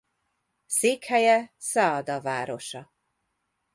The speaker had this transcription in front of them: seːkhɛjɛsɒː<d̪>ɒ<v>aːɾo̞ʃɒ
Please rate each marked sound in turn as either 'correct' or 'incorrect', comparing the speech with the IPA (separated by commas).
correct, correct